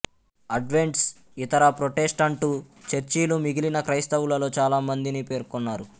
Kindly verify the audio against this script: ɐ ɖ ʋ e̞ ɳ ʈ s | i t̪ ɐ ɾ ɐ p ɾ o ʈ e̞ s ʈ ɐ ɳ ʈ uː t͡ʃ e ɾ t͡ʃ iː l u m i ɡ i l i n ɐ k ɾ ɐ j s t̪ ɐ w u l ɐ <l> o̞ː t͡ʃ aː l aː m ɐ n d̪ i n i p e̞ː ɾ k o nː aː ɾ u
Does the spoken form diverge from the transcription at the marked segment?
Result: no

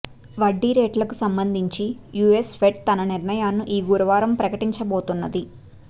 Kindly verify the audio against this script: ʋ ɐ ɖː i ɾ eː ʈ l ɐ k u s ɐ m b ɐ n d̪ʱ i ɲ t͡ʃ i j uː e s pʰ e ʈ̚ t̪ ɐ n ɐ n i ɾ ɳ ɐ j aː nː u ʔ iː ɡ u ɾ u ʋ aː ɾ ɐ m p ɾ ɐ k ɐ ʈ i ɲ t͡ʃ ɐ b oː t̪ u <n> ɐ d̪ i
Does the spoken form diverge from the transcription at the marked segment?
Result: yes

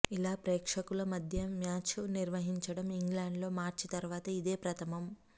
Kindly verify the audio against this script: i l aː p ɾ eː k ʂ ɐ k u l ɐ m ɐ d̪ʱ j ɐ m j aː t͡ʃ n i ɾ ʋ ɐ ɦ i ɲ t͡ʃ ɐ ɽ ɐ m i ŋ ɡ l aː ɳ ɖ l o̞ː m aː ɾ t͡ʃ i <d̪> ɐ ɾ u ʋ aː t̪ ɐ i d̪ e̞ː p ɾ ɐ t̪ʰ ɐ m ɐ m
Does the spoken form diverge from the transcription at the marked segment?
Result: yes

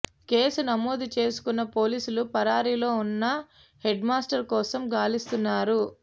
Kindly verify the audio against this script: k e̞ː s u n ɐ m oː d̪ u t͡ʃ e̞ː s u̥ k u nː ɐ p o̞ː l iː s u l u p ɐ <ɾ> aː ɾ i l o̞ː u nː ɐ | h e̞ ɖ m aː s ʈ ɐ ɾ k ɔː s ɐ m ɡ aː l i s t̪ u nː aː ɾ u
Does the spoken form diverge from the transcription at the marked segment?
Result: no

